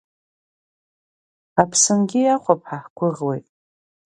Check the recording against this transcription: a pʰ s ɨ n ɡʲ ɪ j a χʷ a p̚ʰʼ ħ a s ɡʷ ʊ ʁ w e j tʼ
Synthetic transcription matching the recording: a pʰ s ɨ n ɡʲ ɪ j a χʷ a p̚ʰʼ ħ a ħ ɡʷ ʊ ʁ w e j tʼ